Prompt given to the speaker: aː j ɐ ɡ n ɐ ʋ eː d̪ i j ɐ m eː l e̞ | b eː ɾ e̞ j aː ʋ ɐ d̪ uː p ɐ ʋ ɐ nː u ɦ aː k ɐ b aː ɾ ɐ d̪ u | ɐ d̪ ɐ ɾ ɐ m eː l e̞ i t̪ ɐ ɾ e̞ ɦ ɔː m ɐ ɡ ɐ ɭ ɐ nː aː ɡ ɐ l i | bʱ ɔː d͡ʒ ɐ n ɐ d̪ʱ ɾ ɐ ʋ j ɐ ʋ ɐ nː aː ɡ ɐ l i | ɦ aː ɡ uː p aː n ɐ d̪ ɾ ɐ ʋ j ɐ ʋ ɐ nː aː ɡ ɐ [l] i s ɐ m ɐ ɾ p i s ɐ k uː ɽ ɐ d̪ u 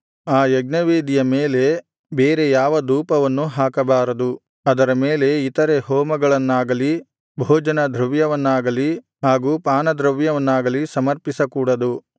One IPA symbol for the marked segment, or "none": l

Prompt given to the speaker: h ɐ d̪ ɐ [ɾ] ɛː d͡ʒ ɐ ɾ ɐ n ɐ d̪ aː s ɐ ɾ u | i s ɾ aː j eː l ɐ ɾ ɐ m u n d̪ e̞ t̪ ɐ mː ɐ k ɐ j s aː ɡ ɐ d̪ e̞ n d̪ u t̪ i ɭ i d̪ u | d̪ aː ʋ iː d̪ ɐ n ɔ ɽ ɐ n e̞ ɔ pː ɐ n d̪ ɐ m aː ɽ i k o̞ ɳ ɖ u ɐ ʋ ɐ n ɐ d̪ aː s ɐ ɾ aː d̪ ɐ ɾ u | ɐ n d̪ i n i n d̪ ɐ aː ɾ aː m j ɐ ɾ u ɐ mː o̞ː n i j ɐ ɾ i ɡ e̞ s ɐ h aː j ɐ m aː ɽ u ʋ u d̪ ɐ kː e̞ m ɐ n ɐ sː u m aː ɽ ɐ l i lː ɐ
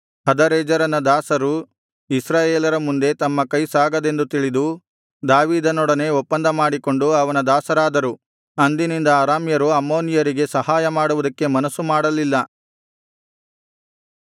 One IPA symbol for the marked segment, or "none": ɾ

